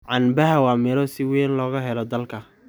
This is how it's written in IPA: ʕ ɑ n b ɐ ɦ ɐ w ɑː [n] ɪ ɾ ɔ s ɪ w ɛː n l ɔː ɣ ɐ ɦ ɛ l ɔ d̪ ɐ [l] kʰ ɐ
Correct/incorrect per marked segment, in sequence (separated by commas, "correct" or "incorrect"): incorrect, correct